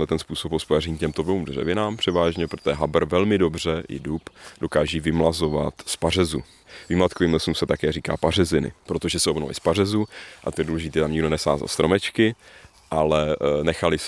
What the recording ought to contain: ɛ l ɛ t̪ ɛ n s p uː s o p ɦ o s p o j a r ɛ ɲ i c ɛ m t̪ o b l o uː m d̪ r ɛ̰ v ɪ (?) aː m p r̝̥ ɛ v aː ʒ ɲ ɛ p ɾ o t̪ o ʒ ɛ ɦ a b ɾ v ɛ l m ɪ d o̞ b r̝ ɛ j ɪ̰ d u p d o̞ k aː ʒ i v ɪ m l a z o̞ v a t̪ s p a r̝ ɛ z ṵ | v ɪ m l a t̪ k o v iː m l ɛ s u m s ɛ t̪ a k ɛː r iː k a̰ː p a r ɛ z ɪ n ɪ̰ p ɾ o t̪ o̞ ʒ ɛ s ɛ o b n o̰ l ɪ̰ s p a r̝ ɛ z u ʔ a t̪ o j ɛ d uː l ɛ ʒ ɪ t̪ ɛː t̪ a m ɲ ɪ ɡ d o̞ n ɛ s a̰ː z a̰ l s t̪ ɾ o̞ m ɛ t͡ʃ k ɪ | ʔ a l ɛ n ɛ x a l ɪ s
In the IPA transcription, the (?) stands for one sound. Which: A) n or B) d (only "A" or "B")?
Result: A